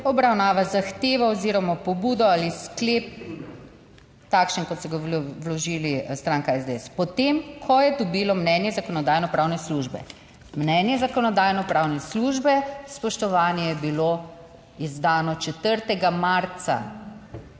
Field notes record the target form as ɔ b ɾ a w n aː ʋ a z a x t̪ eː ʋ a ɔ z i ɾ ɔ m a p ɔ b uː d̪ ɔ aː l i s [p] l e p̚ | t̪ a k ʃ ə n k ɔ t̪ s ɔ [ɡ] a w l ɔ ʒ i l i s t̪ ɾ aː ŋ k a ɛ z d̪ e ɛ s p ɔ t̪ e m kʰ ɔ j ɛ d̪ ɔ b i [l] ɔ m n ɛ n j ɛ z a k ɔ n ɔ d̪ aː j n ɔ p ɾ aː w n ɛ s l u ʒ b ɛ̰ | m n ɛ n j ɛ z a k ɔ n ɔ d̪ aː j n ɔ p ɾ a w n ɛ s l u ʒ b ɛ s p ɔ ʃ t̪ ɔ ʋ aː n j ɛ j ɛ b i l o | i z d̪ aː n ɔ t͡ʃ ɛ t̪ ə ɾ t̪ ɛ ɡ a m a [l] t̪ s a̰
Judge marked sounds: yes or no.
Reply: no, yes, yes, no

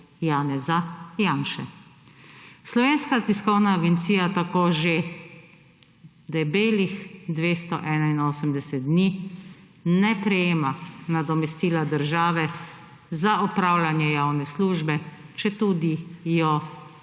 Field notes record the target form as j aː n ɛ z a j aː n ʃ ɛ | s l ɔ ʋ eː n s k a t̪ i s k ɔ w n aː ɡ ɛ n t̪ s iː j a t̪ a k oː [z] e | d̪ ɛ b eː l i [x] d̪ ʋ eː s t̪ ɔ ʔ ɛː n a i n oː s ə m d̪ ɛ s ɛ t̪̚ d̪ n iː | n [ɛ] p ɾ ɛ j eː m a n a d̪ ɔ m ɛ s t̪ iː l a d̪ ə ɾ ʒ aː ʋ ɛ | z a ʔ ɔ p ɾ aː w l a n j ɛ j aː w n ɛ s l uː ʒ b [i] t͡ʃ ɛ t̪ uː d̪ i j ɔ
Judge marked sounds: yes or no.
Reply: no, yes, yes, no

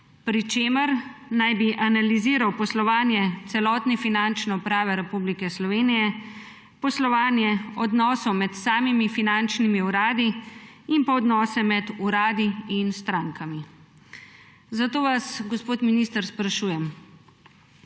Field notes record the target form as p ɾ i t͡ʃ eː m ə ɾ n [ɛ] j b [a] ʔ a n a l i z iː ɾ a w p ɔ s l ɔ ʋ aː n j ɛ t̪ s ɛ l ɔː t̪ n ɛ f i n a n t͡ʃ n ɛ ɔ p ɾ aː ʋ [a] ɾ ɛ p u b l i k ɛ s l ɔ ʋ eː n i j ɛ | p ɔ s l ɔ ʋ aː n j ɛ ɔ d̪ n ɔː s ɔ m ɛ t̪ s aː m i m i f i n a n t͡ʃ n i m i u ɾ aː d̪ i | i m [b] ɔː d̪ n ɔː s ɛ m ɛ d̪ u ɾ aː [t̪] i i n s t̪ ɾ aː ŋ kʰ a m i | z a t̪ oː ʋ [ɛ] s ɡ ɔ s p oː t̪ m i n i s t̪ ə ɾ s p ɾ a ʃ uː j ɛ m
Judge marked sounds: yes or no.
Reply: no, no, no, no, no, no

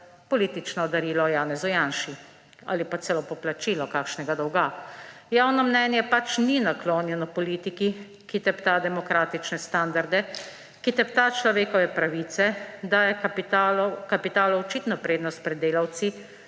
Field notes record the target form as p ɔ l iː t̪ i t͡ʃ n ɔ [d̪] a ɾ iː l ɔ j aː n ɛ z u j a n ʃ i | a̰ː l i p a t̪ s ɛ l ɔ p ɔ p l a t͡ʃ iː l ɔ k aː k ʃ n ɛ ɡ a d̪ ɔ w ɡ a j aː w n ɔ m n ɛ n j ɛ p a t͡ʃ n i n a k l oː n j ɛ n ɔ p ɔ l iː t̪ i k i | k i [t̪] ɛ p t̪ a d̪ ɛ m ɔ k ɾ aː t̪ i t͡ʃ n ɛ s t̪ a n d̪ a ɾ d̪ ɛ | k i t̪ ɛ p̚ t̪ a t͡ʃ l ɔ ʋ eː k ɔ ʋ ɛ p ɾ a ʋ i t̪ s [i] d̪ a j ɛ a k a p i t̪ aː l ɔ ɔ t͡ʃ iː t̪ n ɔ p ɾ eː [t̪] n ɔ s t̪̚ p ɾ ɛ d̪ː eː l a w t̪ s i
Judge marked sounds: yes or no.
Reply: yes, yes, no, no

